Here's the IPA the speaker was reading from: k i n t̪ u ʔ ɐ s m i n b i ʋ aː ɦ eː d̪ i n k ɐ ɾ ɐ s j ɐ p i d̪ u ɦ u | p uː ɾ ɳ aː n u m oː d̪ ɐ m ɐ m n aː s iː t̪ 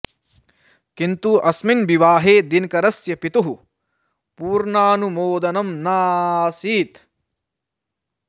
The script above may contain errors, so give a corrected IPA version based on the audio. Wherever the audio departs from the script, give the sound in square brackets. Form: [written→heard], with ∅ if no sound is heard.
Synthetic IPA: k i n t̪ u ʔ ɐ s m i n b i ʋ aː ɦ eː d̪ i n k ɐ ɾ ɐ s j ɐ p i [d̪→t̪] u ɦ u | p uː ɾ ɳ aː n u m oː d̪ ɐ [m→n] ɐ m n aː s iː t̪